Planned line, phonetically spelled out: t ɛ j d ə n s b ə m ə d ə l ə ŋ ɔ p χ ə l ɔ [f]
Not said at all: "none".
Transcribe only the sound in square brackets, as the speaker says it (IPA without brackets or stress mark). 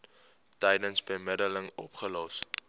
s